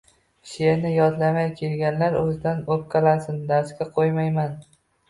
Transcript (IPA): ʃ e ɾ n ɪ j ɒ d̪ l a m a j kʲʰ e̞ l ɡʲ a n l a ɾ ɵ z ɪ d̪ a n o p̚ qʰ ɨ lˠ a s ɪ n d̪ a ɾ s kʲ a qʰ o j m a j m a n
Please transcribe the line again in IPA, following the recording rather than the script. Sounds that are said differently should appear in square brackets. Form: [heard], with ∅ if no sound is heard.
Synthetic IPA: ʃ e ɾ n ɪ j ɒ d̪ l a m a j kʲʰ e̞ l ɡʲ a n l a ɾ ɵ z ɪ d̪ a n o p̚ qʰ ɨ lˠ a s ɪ n d̪ a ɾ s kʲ a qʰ o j m a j m a n